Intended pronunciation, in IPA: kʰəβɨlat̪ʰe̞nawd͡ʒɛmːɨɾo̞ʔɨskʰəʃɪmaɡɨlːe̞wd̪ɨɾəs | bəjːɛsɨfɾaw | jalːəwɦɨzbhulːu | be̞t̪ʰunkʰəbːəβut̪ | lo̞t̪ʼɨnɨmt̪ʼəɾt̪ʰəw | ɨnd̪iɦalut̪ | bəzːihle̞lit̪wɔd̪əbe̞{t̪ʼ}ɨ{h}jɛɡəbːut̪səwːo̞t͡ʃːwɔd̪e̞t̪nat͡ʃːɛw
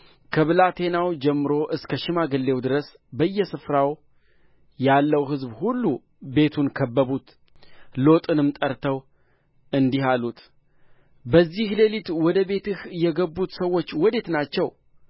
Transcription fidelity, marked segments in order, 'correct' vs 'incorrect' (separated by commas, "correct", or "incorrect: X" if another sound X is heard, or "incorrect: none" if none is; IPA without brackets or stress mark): incorrect: t̪, correct